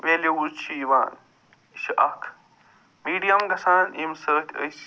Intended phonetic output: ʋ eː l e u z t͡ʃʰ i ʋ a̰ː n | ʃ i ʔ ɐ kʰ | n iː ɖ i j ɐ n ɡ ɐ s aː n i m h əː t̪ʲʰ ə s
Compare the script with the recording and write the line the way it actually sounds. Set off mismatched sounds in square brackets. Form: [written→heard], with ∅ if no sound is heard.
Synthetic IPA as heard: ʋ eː l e u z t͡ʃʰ i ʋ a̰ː n | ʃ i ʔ ɐ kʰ | [n→m] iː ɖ i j ɐ [n→m] ɡ ɐ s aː n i m [h→s] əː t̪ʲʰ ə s